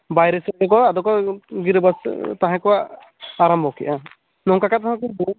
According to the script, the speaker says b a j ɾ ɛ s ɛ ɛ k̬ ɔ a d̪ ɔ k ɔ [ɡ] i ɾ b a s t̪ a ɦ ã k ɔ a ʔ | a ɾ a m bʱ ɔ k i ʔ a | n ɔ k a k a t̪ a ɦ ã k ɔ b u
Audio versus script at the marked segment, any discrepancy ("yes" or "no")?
no